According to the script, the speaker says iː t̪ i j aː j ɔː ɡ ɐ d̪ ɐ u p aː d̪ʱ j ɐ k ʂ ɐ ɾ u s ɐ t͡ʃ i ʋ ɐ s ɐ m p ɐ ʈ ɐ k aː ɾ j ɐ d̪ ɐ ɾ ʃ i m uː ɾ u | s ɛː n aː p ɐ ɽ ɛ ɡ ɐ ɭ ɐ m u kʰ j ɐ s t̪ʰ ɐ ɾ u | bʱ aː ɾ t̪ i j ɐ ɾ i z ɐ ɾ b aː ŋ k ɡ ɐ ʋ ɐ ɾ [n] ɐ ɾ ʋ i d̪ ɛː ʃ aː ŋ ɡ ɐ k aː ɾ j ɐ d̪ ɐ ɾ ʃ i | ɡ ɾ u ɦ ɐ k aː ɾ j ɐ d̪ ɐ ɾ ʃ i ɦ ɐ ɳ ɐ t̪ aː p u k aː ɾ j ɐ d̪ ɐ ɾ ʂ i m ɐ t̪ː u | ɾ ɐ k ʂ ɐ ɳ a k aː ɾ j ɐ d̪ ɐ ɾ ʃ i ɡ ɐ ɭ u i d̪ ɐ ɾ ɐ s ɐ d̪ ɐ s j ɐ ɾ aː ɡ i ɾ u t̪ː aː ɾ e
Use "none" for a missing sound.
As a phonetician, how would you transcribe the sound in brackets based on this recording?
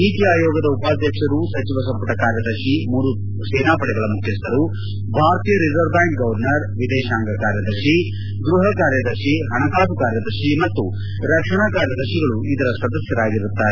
n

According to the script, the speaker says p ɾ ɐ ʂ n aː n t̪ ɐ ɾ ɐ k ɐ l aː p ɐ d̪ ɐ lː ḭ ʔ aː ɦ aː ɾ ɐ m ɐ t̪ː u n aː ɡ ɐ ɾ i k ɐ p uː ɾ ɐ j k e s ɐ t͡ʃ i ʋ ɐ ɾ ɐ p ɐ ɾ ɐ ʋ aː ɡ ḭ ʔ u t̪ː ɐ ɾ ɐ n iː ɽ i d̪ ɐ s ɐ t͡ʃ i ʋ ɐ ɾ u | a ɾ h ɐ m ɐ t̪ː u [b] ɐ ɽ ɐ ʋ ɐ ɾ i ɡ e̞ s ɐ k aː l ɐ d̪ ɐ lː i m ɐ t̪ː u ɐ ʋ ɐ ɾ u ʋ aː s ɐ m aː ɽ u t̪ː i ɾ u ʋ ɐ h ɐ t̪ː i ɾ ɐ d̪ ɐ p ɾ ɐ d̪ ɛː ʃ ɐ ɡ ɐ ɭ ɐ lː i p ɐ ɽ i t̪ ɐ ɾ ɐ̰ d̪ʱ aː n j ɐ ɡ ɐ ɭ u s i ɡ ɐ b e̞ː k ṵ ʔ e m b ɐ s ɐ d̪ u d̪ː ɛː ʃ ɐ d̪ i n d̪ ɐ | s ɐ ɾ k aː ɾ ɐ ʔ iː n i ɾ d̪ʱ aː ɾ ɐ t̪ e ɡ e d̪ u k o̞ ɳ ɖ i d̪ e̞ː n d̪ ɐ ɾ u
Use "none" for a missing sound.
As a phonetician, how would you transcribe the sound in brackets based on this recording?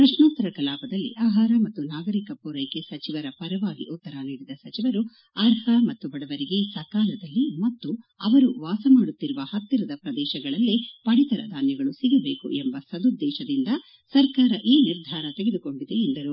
b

